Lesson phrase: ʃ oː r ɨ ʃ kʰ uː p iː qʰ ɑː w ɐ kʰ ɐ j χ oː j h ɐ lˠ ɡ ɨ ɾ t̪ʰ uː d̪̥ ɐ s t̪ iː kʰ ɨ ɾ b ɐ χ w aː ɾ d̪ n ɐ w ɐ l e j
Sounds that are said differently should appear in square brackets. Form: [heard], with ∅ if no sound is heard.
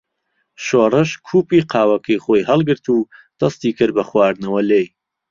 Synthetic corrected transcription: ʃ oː r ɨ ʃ kʰ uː p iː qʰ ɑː w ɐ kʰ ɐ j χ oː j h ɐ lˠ ɡ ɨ ɾ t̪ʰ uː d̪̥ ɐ s t̪ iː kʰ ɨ ɾ b ɐ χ w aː ɾ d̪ n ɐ w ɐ l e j